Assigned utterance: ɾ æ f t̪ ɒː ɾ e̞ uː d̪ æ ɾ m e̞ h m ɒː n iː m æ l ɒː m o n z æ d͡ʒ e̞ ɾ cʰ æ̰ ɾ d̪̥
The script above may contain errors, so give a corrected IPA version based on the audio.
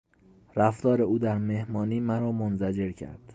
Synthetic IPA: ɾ æ f t̪ ɒː ɾ e̞ uː d̪ æ ɾ m e̞ h m ɒː n iː m æ ɾ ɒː m o n z æ d͡ʒ e̞ ɾ cʰ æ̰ ɾ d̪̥